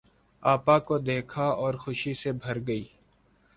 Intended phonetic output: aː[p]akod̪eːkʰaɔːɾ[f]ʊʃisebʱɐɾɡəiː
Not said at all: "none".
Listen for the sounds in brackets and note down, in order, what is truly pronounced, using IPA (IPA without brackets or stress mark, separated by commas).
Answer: p, x